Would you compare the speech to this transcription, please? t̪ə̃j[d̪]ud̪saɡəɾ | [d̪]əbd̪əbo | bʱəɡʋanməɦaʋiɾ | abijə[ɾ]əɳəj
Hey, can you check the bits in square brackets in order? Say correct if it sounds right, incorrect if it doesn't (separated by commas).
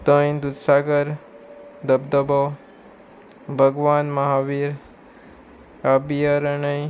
correct, correct, correct